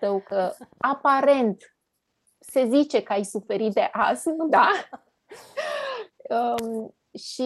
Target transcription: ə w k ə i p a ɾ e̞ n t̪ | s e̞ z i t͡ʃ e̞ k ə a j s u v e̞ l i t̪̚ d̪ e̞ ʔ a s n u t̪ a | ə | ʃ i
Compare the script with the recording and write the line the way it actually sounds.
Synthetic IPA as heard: ə w k ə a p a ɾ e̞ n t̪ | s e̞ z i t͡ʃ e̞ k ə a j s u f e̞ ɾ i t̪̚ d̪ e̞ ʔ a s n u d̪ a | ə | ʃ i